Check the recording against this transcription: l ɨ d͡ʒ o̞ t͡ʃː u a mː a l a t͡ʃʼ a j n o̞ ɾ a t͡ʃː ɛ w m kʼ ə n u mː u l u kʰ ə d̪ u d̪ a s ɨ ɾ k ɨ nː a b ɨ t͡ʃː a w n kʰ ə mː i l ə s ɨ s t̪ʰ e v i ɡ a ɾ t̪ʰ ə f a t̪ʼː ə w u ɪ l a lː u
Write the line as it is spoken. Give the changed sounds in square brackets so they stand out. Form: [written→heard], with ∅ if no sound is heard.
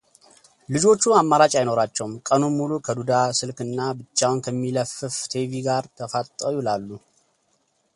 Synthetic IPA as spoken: l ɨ d͡ʒ o̞ t͡ʃː u a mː a [l→ɾ] a t͡ʃʼ a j n o̞ ɾ a t͡ʃː ɛ w m kʼ ə n u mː u l u kʰ ə d̪ u d̪ a s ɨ [ɾ→l] k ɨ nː a b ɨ t͡ʃː a w n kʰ ə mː i l ə [s→f] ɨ [s→f] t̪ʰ e v i ɡ a ɾ t̪ʰ ə f a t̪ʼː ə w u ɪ l a lː u